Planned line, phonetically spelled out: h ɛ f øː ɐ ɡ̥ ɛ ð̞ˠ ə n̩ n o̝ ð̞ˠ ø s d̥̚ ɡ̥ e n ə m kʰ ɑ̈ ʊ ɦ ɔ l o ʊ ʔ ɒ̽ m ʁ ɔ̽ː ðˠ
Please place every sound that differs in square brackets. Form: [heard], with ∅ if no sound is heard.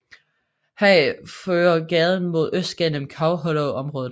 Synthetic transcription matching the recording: h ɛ f øː ɐ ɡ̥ ɛ ð̞ˠ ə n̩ [m] o̝ ð̞ˠ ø s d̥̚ ɡ̥ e n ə m kʰ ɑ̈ ʊ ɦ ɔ l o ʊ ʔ ɒ̽ m ʁ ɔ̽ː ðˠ

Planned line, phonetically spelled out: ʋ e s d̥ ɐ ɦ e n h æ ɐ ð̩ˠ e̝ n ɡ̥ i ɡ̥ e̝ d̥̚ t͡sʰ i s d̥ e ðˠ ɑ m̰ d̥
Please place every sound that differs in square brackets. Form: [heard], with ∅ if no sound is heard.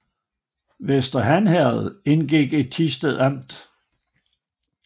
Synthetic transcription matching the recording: ʋ e s d̥ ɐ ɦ [æ] n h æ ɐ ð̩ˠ e̝ n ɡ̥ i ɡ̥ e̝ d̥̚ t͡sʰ i s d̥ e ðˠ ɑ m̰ d̥

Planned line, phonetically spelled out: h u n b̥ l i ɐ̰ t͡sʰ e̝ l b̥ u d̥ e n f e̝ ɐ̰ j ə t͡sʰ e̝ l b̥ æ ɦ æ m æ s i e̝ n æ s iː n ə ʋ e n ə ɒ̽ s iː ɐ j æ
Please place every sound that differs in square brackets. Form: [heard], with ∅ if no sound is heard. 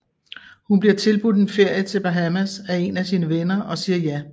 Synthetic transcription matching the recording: h u n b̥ l i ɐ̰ t͡sʰ e̝ l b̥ u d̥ e n f e̝ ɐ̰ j ə t͡sʰ e̝ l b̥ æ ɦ æ m æ s [æ] e̝ n æ s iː n ə ʋ e n [ɐ] ɒ̽ s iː ɐ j æ

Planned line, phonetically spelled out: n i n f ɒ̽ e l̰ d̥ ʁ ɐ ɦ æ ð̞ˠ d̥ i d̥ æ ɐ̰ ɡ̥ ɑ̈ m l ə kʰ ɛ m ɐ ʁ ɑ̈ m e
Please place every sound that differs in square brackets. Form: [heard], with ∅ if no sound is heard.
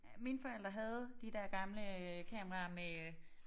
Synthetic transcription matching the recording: [m] i n f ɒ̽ e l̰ d̥ ʁ ɐ ɦ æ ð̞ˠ d̥ i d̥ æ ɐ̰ ɡ̥ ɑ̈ m l ə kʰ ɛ m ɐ ʁ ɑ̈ m e

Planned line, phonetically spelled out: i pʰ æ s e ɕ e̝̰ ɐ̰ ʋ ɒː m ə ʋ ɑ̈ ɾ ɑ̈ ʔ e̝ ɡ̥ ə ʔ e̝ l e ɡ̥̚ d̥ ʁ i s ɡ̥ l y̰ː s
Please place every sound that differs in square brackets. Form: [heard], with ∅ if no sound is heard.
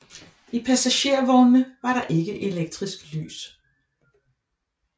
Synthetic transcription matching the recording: i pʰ æ s [æ] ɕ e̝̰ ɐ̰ ʋ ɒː m ə ʋ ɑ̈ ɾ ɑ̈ ʔ e̝ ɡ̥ ə ʔ e̝ l e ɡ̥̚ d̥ ʁ i s ɡ̥ l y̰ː s

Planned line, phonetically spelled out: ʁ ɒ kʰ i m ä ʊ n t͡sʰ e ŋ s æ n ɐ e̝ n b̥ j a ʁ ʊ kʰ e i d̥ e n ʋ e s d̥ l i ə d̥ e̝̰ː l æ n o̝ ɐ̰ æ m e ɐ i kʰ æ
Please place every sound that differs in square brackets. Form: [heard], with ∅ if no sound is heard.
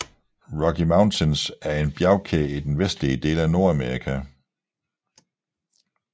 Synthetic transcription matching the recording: ʁ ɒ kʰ i m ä ʊ n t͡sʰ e [n] s æ [∅] ɐ e̝ n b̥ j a [∅] ʊ kʰ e i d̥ e n ʋ e s d̥ l i ə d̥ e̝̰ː l æ n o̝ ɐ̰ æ m e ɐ i kʰ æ

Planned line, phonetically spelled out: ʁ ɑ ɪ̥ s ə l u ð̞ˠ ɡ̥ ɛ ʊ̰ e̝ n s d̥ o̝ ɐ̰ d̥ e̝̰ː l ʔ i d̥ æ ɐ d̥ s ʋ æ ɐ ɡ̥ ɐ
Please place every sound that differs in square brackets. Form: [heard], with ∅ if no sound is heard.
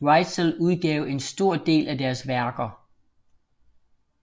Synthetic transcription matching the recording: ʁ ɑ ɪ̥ s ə l u ð̞ˠ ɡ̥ ɛ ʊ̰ e̝ n s d̥ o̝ ɐ̰ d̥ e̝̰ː l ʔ [æ] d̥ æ ɐ [∅] s ʋ æ ɐ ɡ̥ ɐ

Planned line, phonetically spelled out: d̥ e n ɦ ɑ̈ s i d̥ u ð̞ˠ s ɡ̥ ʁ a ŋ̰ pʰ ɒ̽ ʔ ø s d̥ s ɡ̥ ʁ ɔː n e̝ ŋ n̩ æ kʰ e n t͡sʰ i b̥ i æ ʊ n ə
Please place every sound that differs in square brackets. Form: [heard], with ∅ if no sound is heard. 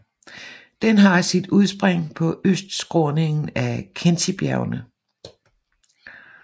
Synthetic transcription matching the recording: d̥ e n ɦ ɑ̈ s i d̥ u ð̞ˠ s [b̥] ʁ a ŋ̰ pʰ ɒ̽ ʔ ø s d̥ s ɡ̥ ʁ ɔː n e̝ ŋ n̩ æ kʰ e n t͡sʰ i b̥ [j] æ ʊ n ə

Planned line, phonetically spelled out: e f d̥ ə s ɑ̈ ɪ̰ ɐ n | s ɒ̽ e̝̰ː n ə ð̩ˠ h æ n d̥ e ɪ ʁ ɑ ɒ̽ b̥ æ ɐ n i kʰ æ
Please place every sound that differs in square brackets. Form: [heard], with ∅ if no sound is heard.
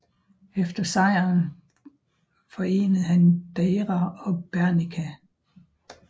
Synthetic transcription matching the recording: e f d̥ [ɐ] s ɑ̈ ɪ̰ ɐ n | [f] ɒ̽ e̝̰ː n ə ð̩ˠ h æ n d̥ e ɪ ʁ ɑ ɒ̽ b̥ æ ɐ n i kʰ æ

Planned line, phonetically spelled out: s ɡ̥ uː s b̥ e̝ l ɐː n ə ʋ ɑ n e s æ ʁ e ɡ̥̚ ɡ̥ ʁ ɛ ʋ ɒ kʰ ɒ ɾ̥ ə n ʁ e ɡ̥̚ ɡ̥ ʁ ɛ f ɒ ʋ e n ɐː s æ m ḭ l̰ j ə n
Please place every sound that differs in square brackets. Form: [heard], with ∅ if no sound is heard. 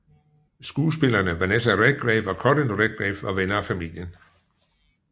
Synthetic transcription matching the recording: s ɡ̥ uː s b̥ e̝ l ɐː n ə ʋ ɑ n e s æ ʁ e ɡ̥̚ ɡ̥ ʁ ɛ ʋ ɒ kʰ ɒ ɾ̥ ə n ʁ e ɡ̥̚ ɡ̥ ʁ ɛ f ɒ ʋ e n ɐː [f] æ m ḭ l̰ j ə n

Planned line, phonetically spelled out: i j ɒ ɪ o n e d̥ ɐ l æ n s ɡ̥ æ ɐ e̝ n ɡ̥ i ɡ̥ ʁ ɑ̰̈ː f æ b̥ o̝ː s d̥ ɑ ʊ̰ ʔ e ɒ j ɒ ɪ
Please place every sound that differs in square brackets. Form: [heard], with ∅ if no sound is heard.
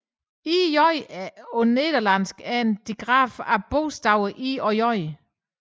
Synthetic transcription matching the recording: i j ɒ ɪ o n e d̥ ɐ l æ n s ɡ̥ æ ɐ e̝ n [d̥] i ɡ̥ ʁ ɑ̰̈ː f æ b̥ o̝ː s d̥ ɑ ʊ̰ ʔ [i] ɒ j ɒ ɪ

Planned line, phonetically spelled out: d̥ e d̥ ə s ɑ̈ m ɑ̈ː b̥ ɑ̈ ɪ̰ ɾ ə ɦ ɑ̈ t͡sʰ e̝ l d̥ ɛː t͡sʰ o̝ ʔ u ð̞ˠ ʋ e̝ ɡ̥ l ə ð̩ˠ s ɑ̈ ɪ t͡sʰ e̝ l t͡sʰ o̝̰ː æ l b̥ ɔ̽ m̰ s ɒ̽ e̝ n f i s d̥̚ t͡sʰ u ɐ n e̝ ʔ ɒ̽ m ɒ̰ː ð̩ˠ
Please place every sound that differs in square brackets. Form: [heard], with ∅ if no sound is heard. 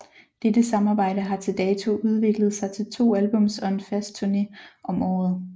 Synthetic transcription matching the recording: d̥ e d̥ ə s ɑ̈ m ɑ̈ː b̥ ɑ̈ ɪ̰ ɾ ə ɦ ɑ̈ t͡sʰ e̝ l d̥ ɛː t͡sʰ o̝ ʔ u ð̞ˠ ʋ e̝ ɡ̥ l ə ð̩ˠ s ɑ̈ ɪ t͡sʰ e̝ l t͡sʰ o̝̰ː æ l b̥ ɔ̽ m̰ s ɒ̽ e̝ n f [æ] s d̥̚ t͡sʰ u ɐ n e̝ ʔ ɒ̽ m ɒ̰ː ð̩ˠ

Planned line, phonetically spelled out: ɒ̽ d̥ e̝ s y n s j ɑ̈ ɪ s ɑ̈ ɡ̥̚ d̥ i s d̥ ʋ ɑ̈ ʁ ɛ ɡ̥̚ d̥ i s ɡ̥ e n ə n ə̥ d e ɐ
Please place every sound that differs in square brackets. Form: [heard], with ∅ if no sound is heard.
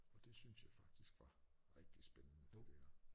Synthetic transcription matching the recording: ɒ̽ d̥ e̝ s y n s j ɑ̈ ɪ [f] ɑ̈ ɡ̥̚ d̥ i s [ɡ̥] ʋ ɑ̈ ʁ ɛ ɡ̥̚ d̥ i s [b̥] e n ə n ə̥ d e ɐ

